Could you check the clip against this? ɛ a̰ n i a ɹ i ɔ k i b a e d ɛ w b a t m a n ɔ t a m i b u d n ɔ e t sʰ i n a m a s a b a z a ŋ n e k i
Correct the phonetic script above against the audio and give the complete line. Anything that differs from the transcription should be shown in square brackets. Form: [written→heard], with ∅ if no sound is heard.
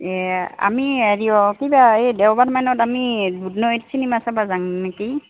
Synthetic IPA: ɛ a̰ [n→m] i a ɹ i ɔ k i b a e d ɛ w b a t m a n ɔ t a m i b u d n ɔ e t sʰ i n [a→i] m a s a b a z a ŋ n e k i